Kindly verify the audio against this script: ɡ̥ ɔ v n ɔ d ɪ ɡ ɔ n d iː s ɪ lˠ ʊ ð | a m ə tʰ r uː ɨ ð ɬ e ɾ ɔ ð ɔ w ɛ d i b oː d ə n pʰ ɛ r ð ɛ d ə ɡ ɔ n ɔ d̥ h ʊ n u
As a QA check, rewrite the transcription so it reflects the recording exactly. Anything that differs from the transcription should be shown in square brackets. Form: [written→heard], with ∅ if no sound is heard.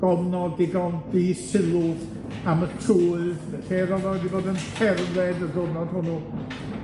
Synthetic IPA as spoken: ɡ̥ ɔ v n ɔ d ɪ ɡ ɔ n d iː s ɪ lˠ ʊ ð | a m ə tʰ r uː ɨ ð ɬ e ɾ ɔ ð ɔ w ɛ d i b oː d ə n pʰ ɛ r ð ɛ d ə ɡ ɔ n ɔ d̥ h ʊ n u